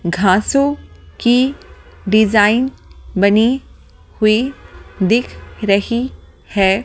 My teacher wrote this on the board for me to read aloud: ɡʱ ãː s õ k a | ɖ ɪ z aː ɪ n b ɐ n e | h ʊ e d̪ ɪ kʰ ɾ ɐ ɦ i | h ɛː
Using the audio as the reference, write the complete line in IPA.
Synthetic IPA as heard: ɡʱ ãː s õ k i | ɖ ɪ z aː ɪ n b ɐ n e | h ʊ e d̪ ɪ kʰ ɾ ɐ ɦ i | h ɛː